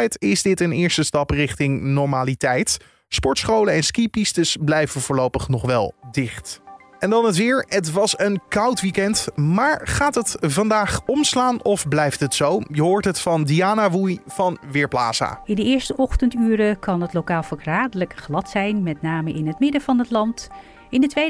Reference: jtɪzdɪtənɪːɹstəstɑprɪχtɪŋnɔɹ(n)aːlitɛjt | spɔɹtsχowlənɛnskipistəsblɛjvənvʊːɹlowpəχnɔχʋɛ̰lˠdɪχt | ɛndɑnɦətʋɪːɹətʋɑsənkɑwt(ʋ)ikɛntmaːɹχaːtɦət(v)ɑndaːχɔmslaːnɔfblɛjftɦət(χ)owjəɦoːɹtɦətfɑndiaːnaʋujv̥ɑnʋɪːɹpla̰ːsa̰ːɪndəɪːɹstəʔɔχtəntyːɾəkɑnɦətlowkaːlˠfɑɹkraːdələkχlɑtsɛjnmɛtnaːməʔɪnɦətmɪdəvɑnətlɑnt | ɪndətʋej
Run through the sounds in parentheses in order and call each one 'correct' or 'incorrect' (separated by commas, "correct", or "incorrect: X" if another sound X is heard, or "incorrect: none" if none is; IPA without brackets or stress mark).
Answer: incorrect: m, correct, correct, incorrect: s